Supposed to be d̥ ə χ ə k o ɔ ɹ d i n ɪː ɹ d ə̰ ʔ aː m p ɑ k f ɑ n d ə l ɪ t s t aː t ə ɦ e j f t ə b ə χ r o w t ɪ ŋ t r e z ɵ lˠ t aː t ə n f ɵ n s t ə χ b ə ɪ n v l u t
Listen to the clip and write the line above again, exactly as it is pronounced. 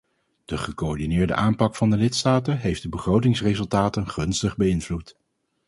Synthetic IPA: d̥ ə χ ə k o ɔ ɹ d i n ɪː ɹ d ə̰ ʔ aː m p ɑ k f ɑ n d ə l ɪ t s t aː t ə ɦ e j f d ə b ə χ r o w t ɪ ŋ s r e z ɵ lˠ t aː t ə n χ ɵ n s t ə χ b ə ɪ n v l u t